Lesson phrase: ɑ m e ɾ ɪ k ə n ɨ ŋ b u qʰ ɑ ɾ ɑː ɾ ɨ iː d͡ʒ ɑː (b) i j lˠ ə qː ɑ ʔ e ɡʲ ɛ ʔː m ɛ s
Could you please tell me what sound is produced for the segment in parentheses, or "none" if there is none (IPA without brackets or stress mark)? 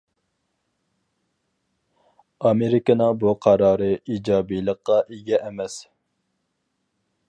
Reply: b